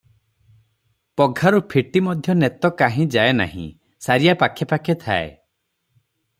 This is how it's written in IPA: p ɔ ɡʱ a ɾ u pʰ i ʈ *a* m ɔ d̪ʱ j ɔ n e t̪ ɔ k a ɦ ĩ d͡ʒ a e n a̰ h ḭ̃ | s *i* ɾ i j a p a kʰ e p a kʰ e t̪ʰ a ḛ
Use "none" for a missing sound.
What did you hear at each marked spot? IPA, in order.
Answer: i, a

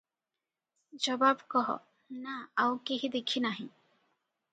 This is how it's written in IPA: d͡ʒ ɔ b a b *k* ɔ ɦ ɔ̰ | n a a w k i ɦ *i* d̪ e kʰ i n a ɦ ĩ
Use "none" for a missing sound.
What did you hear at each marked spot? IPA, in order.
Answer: k, i

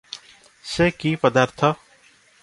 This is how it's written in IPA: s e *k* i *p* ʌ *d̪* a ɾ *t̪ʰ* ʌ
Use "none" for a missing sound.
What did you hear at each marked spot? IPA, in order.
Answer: k, p, d̪, t̪ʰ

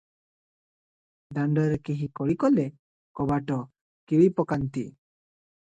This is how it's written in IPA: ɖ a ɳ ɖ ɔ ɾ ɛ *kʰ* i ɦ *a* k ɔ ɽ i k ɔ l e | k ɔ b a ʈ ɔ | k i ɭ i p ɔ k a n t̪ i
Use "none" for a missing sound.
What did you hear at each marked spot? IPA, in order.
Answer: k, i

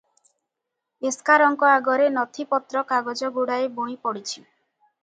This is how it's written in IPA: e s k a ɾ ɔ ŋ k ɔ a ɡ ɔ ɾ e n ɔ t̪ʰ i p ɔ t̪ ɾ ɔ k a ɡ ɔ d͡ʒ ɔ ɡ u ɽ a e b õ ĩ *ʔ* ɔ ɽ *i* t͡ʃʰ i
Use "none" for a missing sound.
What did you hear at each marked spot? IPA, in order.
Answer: p, i

